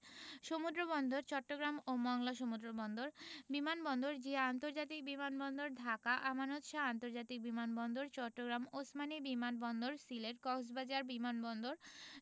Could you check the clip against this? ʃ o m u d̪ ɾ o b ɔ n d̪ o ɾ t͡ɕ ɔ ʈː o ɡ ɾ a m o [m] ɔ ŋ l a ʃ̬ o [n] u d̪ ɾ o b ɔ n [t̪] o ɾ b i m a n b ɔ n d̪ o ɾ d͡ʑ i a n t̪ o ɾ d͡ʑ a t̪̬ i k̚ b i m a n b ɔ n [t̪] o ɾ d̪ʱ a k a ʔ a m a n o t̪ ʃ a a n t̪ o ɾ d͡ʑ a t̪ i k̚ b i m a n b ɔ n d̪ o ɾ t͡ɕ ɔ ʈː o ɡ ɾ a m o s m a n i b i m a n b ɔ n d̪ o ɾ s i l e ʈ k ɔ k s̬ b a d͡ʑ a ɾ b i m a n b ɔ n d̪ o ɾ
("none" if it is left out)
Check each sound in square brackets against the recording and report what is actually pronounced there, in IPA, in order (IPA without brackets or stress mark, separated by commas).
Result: m, m, d̪, d̪